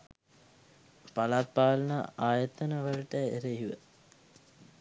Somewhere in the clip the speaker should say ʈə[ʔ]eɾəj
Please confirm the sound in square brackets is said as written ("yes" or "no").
no